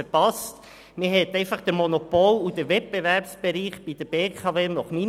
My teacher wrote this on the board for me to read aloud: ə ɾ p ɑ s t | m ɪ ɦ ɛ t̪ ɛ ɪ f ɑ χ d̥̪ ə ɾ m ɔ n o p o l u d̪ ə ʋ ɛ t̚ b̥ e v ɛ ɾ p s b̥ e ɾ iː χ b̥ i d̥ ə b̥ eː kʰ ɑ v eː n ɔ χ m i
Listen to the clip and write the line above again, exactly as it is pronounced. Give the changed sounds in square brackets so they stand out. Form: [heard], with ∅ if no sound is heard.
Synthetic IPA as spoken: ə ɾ p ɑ s t | m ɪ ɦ ɛ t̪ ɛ ɪ f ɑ χ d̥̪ ə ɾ m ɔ n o p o l u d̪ ə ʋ ɛ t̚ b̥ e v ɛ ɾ p s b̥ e ɾ iː χ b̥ i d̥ ə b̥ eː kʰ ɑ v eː n ɔ χ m i